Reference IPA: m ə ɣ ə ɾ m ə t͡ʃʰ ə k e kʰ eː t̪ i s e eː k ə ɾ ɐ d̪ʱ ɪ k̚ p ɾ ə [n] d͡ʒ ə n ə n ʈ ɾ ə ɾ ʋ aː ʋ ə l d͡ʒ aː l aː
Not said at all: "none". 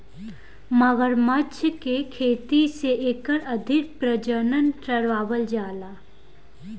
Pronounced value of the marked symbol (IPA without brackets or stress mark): none